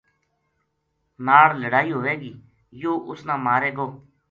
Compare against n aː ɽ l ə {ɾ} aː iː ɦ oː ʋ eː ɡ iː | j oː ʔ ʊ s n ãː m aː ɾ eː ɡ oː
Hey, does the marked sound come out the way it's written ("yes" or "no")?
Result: no